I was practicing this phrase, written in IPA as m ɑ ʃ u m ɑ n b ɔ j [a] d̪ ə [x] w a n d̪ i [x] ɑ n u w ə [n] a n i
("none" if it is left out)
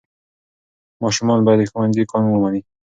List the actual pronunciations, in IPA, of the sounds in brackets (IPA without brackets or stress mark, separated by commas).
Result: a, x, k, m